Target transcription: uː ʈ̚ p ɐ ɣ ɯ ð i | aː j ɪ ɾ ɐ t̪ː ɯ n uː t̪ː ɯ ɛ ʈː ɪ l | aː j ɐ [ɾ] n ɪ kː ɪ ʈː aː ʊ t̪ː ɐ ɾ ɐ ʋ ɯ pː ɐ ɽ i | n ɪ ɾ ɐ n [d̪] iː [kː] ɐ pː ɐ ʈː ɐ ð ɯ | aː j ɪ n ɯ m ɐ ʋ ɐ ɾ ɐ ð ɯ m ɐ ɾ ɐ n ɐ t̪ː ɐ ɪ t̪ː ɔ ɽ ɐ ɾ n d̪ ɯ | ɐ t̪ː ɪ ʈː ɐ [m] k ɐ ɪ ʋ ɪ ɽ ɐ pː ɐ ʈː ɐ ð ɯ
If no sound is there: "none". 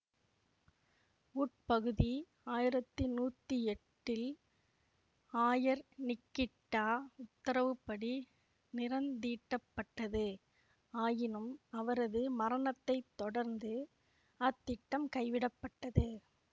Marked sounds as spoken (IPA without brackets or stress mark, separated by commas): ɾ, d̪, ʈː, m